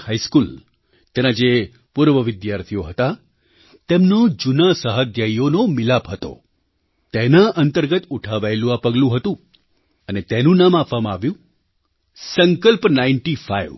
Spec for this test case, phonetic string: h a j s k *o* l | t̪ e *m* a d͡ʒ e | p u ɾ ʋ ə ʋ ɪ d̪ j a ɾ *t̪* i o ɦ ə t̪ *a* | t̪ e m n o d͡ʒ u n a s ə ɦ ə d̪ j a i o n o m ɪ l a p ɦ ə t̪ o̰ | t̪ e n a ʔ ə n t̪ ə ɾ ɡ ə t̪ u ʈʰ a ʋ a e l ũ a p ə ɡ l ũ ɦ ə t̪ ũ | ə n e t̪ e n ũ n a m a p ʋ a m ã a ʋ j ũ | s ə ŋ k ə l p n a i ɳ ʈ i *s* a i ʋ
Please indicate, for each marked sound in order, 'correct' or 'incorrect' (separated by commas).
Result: incorrect, incorrect, incorrect, correct, incorrect